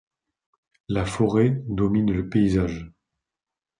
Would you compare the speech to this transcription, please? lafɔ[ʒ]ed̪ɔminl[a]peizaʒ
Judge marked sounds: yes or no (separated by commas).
no, no